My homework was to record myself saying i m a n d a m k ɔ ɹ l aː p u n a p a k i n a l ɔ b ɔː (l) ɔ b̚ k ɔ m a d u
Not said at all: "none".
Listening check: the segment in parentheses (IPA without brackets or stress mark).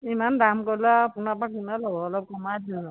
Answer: l